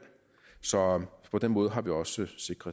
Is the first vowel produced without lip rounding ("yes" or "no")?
no